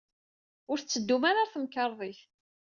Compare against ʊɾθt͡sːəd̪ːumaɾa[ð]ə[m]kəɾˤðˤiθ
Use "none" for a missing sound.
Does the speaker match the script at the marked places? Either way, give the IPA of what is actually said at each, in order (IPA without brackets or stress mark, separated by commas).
θ, m